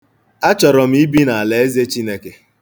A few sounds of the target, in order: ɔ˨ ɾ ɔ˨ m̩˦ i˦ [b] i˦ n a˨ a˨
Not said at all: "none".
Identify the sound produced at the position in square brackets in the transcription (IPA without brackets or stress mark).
b